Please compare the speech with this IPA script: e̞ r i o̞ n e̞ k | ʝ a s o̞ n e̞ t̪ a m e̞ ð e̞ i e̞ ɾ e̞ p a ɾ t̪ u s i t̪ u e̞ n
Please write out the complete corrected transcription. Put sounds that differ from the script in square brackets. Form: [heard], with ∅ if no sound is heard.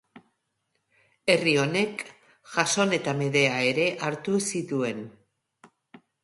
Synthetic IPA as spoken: e̞ r i o̞ n e̞ k | ʝ a s o̞ n e̞ t̪ a m e̞ ð e̞ [a] e̞ ɾ e̞ [ʔ] a ɾ t̪ u s i t̪ u e̞ n